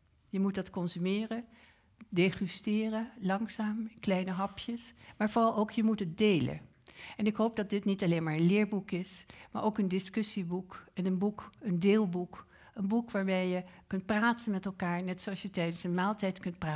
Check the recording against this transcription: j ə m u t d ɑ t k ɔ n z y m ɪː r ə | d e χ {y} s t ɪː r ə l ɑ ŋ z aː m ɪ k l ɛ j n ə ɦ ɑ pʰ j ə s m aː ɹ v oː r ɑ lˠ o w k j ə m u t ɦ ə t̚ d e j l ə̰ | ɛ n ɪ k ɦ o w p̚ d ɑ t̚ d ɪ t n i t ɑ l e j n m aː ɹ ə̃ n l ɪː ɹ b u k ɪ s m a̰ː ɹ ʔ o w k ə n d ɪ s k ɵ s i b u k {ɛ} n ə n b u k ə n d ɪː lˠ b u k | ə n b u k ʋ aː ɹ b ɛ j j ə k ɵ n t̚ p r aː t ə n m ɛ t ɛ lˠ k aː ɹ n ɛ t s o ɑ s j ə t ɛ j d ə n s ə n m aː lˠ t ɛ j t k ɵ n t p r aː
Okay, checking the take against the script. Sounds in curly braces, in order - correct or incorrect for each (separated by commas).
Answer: correct, correct